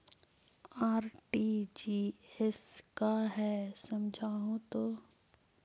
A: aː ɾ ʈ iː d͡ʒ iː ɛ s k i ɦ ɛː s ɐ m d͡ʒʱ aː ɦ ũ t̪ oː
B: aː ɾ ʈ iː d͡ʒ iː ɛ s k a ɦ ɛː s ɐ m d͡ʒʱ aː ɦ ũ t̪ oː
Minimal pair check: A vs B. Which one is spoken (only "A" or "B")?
B